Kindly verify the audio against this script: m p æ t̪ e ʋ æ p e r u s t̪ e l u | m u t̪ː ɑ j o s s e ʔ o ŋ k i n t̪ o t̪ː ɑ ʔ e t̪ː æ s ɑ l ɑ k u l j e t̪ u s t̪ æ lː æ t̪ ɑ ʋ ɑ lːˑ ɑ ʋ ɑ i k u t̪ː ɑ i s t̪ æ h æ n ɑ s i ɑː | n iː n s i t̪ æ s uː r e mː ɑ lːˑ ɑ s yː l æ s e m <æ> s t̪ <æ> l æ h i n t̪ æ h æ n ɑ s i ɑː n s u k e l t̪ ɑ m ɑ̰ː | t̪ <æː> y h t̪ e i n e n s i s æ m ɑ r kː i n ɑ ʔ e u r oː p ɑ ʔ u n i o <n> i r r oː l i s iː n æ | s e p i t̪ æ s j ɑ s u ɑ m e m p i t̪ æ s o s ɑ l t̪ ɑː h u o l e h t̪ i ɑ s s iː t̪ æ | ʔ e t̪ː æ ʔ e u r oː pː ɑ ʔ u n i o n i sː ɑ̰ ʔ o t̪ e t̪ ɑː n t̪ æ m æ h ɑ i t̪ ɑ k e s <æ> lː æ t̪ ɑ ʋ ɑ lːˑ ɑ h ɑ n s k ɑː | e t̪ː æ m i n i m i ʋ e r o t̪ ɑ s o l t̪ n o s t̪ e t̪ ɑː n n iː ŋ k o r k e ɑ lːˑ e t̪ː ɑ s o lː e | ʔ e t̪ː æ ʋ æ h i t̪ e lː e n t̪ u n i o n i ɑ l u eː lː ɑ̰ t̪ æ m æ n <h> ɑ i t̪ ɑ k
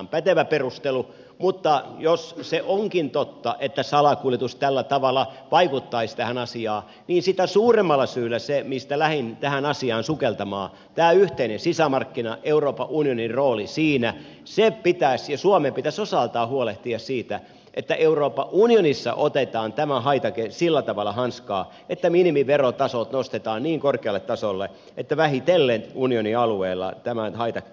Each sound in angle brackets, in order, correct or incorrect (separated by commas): incorrect, correct, correct, correct, incorrect, correct